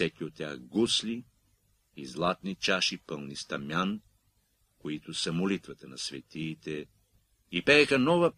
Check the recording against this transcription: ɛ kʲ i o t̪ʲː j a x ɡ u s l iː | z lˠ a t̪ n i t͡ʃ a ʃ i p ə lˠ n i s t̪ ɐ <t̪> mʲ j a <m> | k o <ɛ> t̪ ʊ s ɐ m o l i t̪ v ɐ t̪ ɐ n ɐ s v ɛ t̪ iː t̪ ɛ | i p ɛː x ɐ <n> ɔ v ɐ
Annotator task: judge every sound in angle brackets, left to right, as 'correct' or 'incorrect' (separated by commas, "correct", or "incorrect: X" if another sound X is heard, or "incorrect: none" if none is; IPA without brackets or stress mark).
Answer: incorrect: none, incorrect: n, incorrect: i, correct